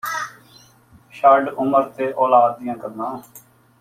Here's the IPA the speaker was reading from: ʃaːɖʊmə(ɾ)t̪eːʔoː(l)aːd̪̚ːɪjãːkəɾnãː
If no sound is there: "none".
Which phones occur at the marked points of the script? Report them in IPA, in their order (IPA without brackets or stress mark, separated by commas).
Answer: ɾ, l